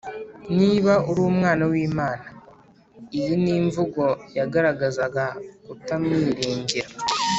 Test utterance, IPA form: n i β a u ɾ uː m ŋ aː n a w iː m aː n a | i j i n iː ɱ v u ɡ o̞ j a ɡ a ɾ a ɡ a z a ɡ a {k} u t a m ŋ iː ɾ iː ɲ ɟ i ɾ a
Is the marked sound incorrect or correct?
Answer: correct